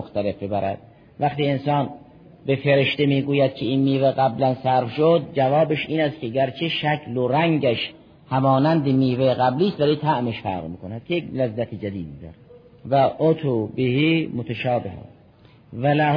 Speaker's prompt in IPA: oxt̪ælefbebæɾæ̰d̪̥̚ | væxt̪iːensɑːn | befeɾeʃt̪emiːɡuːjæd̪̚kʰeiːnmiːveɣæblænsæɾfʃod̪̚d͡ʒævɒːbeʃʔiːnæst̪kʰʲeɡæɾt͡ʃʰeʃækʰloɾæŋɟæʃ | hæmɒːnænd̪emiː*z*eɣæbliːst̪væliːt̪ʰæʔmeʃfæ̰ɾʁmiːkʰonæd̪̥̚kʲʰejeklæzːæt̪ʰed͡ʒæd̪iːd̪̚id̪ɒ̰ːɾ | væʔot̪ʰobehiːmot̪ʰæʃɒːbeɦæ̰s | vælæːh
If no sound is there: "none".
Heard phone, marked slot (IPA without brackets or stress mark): v